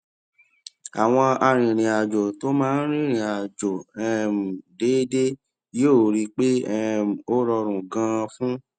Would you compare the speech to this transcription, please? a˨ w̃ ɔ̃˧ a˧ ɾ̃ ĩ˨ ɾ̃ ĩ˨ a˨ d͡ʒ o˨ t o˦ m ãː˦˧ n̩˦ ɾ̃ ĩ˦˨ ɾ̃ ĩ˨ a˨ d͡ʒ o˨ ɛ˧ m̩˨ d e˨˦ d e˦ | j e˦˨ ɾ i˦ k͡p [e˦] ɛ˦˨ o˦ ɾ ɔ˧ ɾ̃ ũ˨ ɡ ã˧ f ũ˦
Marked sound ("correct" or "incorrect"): correct